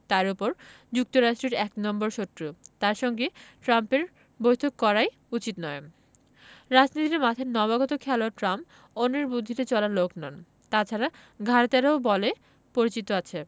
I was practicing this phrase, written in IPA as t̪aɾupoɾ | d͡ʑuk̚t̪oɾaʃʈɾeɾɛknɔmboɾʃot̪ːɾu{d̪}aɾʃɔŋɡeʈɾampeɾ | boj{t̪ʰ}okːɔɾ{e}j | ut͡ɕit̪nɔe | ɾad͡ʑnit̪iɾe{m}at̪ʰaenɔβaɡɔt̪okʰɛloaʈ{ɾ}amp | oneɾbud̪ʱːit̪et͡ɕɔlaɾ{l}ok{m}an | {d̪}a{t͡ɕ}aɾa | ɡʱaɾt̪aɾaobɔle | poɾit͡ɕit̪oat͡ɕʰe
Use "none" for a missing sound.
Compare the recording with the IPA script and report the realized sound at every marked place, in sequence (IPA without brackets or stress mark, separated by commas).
t̪, t̪ʰ, a, m, ɾ, l, n, t̪, t͡ɕʰ